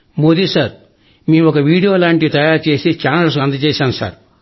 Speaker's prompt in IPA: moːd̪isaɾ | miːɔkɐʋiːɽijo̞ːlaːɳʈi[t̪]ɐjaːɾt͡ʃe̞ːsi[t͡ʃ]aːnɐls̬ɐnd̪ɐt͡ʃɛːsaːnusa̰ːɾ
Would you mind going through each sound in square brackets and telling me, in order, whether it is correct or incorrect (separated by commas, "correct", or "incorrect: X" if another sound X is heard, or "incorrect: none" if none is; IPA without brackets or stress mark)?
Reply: correct, correct